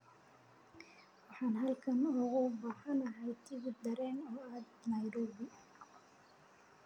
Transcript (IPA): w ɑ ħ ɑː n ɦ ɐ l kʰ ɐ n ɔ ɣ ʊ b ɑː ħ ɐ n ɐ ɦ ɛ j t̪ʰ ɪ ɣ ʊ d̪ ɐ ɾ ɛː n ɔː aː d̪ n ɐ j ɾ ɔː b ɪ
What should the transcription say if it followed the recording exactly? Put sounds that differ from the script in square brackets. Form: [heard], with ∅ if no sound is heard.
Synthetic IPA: w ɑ ħ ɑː n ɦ ɐ l kʰ ɐ n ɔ ɣ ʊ b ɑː ħ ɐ n ɐ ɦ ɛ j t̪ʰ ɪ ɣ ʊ d̪ ɐ ɾ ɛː n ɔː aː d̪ n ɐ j ɾ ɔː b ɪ